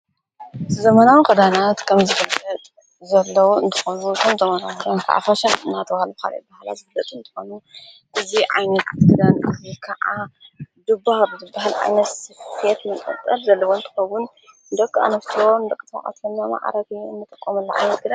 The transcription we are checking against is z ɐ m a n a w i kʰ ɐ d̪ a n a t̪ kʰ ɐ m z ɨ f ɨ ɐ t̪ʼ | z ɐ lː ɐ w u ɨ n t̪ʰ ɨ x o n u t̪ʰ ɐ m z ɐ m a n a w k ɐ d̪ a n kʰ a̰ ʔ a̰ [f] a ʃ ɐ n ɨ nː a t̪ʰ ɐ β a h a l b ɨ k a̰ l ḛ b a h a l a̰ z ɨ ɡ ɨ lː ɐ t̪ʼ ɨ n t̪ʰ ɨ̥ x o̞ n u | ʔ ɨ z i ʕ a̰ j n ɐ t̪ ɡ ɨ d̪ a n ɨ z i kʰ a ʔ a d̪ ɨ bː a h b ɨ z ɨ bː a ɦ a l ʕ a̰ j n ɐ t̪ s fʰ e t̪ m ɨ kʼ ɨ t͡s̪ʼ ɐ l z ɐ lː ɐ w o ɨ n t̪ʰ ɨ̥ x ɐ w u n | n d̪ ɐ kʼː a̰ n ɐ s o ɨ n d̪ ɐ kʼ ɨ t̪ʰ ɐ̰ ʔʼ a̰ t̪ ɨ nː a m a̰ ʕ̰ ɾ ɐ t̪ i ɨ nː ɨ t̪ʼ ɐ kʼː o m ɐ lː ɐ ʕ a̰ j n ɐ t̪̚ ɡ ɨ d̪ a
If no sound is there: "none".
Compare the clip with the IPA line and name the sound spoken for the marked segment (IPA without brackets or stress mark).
f